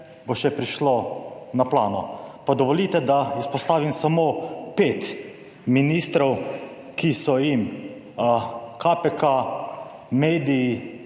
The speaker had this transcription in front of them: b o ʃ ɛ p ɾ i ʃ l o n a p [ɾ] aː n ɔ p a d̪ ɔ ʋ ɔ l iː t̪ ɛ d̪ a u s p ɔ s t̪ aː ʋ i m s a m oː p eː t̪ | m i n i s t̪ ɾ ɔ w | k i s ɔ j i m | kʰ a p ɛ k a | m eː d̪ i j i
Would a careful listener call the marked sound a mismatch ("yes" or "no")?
yes